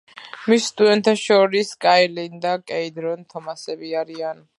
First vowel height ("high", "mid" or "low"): high